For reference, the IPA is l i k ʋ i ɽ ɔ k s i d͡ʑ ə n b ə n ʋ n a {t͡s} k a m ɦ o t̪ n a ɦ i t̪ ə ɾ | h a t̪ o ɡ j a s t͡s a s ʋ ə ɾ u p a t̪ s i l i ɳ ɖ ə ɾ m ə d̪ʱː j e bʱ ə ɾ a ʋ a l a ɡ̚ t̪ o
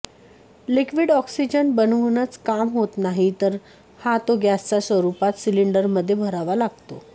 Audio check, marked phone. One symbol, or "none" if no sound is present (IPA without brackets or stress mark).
t͡s